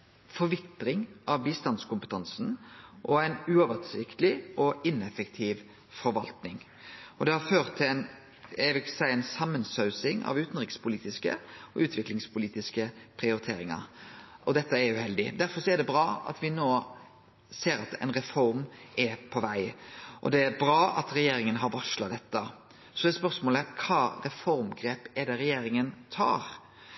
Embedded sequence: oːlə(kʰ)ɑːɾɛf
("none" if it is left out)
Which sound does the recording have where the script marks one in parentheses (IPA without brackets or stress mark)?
kʰ